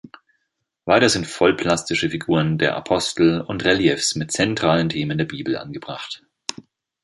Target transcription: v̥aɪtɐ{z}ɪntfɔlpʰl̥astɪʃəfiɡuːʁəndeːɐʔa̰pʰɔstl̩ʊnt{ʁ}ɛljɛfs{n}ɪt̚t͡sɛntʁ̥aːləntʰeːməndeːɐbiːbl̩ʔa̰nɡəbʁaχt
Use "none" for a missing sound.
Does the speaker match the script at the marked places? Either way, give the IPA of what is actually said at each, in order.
z, ʁ, m

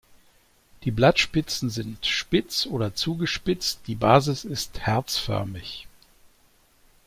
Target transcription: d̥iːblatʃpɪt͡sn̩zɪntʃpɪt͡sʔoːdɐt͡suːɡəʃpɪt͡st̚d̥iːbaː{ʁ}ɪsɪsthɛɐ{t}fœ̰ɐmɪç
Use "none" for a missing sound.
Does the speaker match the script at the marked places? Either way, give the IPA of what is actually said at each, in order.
z, t͡s

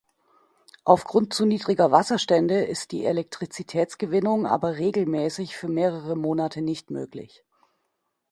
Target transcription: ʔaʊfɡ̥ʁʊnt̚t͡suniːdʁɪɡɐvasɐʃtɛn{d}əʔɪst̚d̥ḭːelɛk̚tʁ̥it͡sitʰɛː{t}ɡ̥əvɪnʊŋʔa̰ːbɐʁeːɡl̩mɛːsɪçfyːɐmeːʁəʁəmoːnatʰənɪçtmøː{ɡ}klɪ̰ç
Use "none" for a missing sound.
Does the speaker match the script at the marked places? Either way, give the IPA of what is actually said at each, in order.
d, t͡s, none

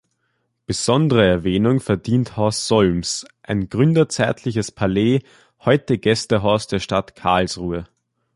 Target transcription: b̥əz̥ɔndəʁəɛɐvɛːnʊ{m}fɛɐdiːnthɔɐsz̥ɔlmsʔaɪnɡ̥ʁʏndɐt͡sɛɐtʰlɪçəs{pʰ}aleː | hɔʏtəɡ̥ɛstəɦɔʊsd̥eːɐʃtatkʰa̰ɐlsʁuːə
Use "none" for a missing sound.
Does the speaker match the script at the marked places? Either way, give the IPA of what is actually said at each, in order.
ŋ, pʰ

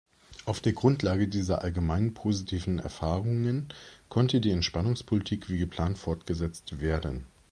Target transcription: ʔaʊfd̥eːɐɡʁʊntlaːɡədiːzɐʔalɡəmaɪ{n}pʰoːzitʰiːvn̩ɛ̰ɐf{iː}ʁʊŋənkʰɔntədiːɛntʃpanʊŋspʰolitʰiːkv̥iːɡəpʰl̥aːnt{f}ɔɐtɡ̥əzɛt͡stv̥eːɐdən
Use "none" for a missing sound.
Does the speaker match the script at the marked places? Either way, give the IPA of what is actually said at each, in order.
n, aː, f

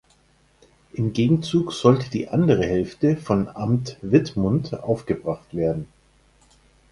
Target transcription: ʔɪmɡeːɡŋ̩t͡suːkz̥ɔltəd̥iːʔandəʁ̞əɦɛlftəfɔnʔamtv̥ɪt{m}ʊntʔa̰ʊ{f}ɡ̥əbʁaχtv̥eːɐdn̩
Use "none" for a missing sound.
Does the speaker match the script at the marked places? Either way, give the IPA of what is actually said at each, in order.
m, f

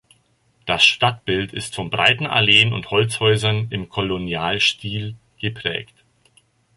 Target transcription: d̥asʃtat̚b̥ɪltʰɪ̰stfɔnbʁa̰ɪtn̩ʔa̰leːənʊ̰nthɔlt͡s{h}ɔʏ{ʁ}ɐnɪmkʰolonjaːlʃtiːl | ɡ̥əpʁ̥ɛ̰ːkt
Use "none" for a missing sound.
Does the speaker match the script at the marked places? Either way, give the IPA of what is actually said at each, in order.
h, z

